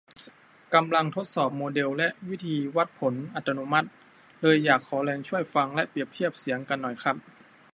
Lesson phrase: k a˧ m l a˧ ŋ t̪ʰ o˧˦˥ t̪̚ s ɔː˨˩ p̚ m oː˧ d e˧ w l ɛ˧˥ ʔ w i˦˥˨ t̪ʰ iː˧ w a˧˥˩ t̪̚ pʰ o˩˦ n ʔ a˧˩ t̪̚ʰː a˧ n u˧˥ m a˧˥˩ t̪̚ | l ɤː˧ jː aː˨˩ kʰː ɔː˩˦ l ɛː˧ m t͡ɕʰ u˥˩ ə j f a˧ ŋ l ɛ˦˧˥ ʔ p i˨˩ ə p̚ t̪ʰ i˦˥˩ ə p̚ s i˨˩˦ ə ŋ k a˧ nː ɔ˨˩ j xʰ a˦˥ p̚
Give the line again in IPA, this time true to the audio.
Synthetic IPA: k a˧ m l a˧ ŋ t̪ʰ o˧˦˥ t̪̚ s ɔː˨˩ p̚ m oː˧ d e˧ w l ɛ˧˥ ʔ w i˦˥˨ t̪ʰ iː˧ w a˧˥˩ t̪̚ pʰ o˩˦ n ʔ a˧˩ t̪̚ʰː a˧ n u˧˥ m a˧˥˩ t̪̚ | l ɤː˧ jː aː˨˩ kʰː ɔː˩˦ l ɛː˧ ŋ t͡ɕʰ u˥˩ ə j f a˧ ŋ l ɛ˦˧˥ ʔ p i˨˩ ə p̚ t̪ʰ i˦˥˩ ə p̚ s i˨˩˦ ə ŋ k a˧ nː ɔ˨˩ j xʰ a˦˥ p̚